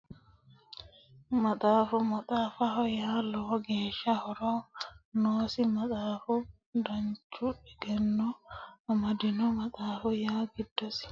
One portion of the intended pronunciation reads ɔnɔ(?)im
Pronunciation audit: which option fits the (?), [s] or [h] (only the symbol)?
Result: s